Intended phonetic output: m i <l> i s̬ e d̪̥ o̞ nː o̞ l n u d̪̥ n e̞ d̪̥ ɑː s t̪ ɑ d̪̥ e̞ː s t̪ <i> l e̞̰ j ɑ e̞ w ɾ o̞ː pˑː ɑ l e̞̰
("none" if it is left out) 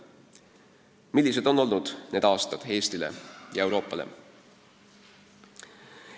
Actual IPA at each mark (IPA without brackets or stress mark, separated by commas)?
lː, i